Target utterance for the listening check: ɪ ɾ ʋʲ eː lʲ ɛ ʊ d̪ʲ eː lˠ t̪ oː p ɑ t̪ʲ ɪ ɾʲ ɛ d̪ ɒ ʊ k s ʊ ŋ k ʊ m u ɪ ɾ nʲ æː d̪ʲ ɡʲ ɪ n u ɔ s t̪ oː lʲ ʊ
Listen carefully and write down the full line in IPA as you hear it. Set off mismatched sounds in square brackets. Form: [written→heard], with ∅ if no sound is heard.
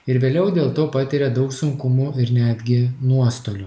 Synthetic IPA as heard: ɪ ɾ ʋʲ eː lʲ ɛ ʊ d̪ʲ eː lˠ t̪ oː p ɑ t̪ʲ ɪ ɾʲ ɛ d̪ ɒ ʊ k s ʊ ŋ k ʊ m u ɪ ɾ nʲ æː d̪ʲ ɡʲ ɪ n u ɔ s t̪ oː lʲ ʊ